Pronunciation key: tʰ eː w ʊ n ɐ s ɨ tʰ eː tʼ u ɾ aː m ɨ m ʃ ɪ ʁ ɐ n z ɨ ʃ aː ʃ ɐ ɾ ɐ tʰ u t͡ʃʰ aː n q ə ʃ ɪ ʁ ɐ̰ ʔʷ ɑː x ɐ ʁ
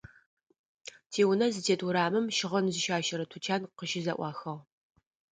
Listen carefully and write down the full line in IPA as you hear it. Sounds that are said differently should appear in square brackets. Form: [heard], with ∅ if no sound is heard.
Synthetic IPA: tʰ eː w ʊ n ɐ [z] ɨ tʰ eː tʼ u ɾ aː m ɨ m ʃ ɪ ʁ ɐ n z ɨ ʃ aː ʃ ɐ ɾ ɐ tʰ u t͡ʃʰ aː n q ə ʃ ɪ [z] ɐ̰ ʔʷ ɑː x ɐ ʁ

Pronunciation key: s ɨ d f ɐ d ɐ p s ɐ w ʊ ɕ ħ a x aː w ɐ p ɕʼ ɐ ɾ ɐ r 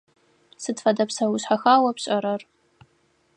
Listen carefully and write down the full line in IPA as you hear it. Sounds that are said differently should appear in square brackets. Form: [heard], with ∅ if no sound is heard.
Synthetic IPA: s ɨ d f ɐ d ɐ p s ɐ w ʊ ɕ ħ a x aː w ɐ p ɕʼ ɐ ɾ ɐ r

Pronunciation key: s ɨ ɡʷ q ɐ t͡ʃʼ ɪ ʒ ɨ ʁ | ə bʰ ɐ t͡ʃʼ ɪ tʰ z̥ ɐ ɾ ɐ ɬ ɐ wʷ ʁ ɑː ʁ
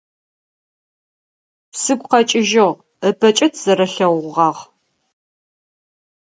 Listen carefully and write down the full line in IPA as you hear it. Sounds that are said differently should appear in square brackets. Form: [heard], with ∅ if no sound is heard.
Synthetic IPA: s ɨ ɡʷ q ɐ t͡ʃʼ ɪ ʒ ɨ ʁ | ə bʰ ɐ t͡ʃʼ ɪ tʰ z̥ ɐ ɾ ɐ ɬ ɐ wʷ ʁ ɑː ʁ

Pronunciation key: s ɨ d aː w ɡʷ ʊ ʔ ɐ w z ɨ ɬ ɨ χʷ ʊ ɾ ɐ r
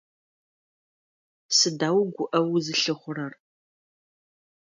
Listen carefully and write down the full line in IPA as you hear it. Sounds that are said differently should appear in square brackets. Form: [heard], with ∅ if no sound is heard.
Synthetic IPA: s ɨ d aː w ɡʷ ʊ ʔ ɐ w z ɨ ɬ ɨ χʷ ʊ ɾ ɐ r

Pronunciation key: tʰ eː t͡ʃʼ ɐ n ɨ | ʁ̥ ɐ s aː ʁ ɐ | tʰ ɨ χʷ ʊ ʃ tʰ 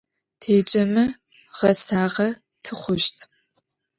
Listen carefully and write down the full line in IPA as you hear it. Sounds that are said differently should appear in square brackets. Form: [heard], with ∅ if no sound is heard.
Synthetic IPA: tʰ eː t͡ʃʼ ɐ [m] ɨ | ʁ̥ ɐ s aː ʁ ɐ | tʰ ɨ χʷ ʊ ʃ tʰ

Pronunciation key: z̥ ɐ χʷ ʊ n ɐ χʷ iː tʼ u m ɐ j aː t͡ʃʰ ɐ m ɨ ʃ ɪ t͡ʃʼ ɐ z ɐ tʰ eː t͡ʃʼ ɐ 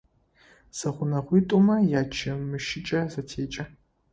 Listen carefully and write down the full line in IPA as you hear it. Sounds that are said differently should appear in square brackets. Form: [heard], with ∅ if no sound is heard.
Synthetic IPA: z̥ ɐ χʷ ʊ n ɐ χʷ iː tʼ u m ɐ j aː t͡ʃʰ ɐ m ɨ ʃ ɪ t͡ʃʼ ɐ z ɐ tʰ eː t͡ʃʼ ɐ

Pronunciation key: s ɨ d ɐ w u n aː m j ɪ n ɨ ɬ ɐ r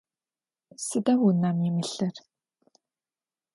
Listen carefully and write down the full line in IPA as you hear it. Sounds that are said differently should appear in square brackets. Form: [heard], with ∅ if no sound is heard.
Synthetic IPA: s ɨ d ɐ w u n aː m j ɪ [m] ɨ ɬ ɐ r

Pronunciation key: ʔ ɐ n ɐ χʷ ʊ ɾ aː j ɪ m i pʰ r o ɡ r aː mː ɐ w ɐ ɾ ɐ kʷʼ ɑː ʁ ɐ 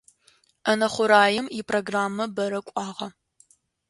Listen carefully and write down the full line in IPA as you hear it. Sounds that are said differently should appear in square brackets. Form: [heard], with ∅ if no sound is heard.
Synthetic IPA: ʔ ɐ n ɐ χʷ ʊ ɾ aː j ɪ m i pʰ r o ɡ r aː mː ɐ [b] ɐ ɾ ɐ kʷʼ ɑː ʁ ɐ

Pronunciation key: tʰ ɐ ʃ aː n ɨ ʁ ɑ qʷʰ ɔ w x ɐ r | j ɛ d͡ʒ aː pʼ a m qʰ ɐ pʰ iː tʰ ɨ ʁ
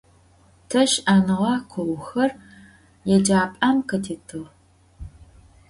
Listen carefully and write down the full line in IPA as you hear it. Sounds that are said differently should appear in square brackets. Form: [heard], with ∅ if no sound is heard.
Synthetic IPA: tʰ ɐ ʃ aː n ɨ ʁ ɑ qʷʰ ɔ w x ɐ r | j ɛ d͡ʒ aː pʼ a m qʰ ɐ [tʰ] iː tʰ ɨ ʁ

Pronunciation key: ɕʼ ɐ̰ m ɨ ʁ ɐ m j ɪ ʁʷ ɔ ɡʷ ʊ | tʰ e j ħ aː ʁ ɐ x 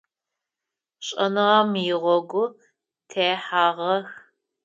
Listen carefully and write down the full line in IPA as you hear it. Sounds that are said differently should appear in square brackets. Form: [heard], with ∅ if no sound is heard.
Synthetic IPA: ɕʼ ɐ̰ [n] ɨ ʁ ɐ m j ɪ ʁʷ ɔ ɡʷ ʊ | tʰ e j ħ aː ʁ ɐ x

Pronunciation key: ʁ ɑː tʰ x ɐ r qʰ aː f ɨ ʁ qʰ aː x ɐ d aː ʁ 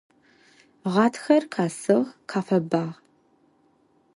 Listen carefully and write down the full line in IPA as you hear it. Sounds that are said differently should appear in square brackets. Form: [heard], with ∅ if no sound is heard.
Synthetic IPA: ʁ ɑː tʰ x ɐ r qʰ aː [s] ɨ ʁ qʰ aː [f] ɐ [b] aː ʁ

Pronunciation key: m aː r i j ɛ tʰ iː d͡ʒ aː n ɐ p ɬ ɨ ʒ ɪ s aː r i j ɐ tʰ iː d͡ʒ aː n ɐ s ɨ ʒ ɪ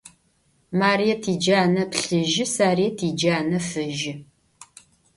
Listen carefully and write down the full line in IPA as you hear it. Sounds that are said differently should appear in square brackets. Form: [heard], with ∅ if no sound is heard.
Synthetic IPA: m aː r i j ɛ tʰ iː d͡ʒ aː n ɐ p ɬ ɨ ʒ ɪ s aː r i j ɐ tʰ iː d͡ʒ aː n ɐ [f] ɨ ʒ ɪ

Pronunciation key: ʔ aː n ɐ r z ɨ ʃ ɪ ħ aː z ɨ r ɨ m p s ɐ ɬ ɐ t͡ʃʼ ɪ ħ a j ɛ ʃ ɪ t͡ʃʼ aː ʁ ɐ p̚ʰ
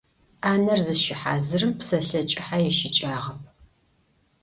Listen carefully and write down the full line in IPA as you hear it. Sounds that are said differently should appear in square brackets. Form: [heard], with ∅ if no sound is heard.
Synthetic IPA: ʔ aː n ɐ r z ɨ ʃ ɪ ħ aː z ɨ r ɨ m p s ɐ ɬ ɐ t͡ʃʼ ɪ ħ a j ɛ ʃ ɪ t͡ʃʼ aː ʁ ɐ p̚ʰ

